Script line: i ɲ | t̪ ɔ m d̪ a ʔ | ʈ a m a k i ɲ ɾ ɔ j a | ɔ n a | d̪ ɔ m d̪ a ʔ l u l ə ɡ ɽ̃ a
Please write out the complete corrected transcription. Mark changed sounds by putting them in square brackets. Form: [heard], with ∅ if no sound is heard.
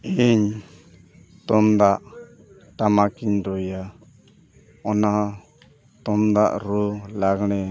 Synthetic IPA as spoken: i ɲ | t̪ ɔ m d̪ a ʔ | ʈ a m a k i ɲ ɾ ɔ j a | ɔ n a | [t̪] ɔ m d̪ a ʔ [ɾ] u l [a] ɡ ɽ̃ [ɛ]